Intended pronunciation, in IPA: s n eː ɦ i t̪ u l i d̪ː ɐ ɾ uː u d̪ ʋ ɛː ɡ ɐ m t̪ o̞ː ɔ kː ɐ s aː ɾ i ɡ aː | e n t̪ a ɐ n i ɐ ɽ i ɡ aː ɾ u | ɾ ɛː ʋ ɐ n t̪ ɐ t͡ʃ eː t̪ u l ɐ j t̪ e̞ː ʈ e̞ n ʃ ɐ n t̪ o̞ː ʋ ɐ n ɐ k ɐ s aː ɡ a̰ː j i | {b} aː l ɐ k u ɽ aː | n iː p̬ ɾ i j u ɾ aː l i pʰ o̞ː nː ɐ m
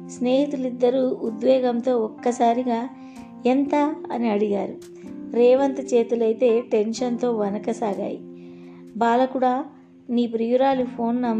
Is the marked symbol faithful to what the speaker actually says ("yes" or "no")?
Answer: yes